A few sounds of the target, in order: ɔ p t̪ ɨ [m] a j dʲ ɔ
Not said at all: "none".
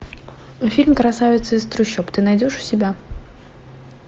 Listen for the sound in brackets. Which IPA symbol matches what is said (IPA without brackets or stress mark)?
n